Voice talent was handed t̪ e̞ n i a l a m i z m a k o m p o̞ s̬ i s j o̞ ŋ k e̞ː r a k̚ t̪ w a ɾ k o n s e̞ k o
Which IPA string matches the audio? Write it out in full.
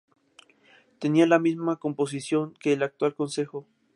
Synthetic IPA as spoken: t̪ e̞ n i a l a m i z m a k o m p o̞ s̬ i s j o̞ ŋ k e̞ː l a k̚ t̪ w a l k o n s e̞ x o